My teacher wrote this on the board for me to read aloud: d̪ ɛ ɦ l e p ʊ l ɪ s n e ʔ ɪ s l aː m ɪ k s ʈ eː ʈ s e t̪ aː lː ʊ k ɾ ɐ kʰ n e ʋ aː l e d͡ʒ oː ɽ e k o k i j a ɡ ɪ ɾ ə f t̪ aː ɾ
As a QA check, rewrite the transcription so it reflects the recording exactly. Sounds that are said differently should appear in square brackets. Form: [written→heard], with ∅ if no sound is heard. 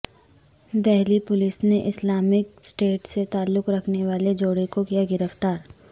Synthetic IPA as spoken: d̪ ɛ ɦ l [e→i] p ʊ l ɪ s n e ʔ ɪ s l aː m ɪ k s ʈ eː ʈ s e t̪ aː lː ʊ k ɾ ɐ kʰ n e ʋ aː l e d͡ʒ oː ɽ e k o k i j a ɡ ɪ ɾ ə f t̪ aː ɾ